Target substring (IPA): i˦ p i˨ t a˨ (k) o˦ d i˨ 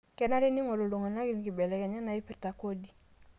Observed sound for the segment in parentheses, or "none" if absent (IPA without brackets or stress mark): k